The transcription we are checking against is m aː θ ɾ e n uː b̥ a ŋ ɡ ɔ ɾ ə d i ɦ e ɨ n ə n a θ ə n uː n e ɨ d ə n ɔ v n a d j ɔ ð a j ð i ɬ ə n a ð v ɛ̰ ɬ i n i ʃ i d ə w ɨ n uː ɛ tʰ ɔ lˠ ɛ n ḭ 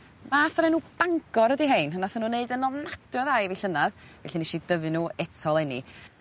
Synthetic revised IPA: m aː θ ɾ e n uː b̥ a ŋ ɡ ɔ ɾ ə d i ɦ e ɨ n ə n a θ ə n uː n e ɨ d ə n ɔ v n a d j ɔ ð a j v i ɬ ə n a ð v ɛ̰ ɬ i n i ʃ i d ə v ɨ n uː ɛ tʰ ɔ lˠ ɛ n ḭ